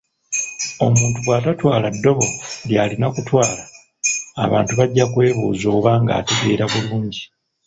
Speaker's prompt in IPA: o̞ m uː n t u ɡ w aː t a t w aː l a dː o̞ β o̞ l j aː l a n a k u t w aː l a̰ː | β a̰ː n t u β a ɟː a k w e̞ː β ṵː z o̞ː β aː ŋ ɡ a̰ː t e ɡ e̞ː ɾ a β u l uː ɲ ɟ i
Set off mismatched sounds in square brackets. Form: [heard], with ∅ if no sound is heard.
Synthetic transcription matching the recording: o̞ m uː n t u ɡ w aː t a t w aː l a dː o̞ β o̞ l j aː l [i] n a k u t w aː l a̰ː | β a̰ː n t u β a ɟː a k w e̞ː β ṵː z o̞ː β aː ŋ ɡ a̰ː t e ɡ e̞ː ɾ a β u l uː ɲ ɟ i